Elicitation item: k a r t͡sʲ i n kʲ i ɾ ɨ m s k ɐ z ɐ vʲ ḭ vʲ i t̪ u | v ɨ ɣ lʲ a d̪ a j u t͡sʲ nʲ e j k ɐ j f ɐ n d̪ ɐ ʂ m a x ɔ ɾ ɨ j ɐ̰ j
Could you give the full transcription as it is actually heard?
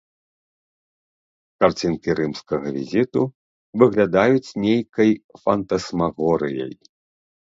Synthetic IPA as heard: k a r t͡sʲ i n kʲ i ɾ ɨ m s k ɐ ɣ ɐ vʲ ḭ zʲ i t̪ u | v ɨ ɣ lʲ a d̪ a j u t͡sʲ nʲ e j k ɐ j f ɐ n t̪ ɐ s m a ɣ ɔ ɾ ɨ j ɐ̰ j